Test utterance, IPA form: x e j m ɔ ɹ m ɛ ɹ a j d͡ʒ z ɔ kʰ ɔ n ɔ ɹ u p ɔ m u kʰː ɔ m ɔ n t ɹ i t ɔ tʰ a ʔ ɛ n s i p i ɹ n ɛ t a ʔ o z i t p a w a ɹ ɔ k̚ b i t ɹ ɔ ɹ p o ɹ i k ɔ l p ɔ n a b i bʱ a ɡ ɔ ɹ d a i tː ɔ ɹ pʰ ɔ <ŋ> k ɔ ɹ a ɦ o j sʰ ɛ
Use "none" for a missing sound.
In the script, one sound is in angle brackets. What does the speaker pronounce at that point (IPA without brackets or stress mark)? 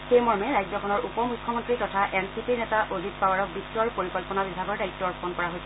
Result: n